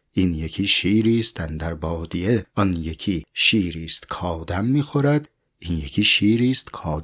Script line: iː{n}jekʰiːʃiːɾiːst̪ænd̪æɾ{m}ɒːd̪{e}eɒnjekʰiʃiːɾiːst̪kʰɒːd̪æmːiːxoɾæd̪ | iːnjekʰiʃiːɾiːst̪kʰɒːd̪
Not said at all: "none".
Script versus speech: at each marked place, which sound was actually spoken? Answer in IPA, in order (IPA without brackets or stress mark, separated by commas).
n, b, i